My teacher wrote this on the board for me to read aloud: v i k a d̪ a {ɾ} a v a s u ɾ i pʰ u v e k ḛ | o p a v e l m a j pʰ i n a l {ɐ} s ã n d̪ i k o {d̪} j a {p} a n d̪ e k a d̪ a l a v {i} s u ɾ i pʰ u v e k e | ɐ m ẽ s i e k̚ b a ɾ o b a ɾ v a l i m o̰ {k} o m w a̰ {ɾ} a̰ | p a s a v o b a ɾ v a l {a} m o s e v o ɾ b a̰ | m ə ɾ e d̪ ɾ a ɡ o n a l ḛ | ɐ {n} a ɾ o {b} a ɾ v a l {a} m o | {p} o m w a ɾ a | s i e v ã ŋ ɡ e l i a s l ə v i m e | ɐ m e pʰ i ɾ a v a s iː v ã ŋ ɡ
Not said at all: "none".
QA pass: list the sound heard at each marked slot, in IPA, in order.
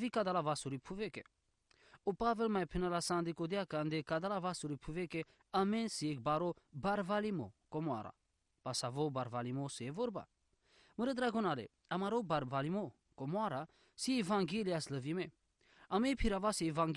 l, a, d̪, k, a, k, ɾ, i, m, b, i, k

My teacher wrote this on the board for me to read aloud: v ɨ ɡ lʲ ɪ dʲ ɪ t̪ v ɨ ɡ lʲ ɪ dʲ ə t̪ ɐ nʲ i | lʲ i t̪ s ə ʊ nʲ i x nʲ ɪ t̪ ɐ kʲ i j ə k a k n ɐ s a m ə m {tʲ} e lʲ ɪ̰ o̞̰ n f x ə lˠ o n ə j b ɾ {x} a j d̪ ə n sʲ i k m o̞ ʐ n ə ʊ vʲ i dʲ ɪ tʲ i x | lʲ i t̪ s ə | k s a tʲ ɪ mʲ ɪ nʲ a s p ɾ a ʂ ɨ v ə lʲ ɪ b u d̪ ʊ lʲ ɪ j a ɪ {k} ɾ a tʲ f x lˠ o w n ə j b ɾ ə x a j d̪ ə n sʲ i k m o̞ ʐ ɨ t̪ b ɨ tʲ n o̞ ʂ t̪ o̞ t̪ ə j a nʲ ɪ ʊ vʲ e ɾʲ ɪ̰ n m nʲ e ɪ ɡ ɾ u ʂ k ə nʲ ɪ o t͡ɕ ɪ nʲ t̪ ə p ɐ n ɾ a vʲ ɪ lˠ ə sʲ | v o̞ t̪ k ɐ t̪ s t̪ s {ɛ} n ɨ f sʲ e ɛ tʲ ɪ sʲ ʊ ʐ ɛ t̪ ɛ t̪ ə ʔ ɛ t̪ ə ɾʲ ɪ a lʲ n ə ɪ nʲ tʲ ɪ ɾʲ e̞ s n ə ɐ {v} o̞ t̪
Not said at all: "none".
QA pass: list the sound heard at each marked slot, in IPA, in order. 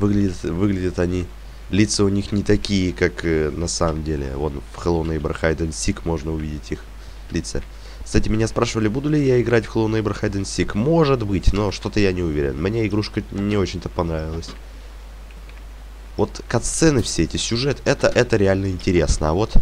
dʲ, x, ɡ, ɛ, v

